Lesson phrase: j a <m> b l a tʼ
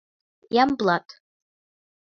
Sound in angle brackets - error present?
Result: no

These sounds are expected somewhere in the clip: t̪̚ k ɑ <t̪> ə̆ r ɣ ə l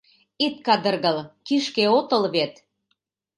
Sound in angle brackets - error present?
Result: yes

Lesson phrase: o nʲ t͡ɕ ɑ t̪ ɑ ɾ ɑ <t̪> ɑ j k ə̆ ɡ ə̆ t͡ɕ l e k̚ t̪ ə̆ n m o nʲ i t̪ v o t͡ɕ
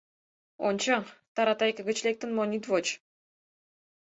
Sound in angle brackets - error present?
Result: no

